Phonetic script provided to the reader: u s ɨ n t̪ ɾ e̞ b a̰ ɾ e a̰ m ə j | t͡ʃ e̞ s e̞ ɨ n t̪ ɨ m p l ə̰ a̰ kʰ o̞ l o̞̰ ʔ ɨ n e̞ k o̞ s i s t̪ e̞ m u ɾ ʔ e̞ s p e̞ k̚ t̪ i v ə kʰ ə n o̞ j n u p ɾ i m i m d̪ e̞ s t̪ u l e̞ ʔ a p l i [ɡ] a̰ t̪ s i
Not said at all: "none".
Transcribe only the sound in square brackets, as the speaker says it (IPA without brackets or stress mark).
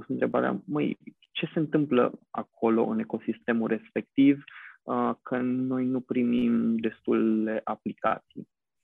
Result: k